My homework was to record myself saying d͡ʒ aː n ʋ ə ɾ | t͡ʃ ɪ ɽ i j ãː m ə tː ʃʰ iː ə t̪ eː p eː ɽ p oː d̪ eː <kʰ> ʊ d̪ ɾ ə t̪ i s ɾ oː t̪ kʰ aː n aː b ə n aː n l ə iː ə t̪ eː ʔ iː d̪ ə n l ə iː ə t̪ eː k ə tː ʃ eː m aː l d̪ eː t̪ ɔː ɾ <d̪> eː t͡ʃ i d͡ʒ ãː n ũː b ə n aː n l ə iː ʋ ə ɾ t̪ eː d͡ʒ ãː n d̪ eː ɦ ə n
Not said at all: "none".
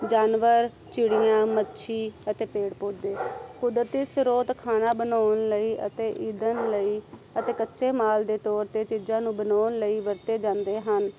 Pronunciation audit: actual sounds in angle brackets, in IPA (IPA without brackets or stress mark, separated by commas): k, t̪